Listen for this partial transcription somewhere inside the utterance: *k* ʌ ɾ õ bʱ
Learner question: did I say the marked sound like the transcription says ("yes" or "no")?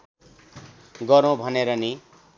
no